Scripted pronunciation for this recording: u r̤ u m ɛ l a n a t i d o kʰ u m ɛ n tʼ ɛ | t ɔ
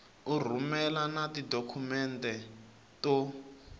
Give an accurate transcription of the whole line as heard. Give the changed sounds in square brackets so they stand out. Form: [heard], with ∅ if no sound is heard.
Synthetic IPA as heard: u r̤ u m ɛ l a n a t i d o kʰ u m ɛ n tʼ ɛ | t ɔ